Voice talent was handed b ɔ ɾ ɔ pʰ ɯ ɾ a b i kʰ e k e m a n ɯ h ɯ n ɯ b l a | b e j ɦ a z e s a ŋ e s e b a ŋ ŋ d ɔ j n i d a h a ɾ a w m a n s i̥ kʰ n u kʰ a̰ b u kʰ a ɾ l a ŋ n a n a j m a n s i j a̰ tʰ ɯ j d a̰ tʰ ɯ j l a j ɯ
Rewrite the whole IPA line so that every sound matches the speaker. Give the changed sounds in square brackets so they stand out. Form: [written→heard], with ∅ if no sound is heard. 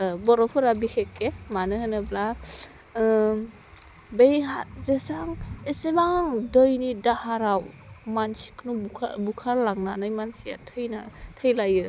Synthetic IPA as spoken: b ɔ ɾ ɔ pʰ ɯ ɾ a b i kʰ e k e m a n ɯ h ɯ n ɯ b l a | b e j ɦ a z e s a ŋ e s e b a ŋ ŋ d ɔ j n i d a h a ɾ a w m a n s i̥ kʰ n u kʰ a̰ b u kʰ a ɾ l a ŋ n a n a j m a n s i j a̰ tʰ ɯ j [d→n] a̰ tʰ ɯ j l a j ɯ